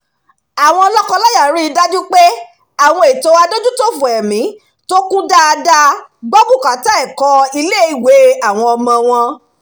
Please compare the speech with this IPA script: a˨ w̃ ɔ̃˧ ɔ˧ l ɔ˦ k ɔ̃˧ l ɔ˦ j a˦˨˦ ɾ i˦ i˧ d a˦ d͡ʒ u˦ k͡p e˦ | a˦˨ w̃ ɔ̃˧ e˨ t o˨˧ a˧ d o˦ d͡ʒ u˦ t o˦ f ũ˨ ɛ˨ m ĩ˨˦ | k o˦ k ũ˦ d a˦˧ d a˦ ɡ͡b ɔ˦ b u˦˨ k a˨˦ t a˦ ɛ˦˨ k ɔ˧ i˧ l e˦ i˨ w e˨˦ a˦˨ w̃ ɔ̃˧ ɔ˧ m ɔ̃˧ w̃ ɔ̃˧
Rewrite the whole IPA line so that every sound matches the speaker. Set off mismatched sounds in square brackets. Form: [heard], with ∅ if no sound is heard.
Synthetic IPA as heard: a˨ w̃ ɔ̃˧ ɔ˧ l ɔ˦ k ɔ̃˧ l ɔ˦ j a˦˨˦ ɾ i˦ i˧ d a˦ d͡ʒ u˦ k͡p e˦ | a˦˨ w̃ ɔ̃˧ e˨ t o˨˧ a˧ d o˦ d͡ʒ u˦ t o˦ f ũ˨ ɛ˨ m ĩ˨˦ | [t] o˦ k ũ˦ d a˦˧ d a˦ ɡ͡b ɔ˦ b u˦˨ k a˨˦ t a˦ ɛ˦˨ k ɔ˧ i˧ l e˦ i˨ w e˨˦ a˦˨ w̃ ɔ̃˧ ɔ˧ m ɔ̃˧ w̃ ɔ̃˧